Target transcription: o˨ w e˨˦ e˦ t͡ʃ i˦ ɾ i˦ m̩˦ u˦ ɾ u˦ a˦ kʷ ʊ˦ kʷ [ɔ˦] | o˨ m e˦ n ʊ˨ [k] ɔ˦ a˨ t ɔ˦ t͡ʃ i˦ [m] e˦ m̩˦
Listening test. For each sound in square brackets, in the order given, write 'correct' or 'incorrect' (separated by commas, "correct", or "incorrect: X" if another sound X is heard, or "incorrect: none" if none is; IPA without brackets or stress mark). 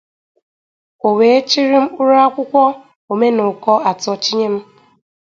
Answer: correct, correct, incorrect: ɲ